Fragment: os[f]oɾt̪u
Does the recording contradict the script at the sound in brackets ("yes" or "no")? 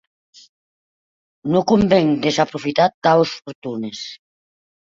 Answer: no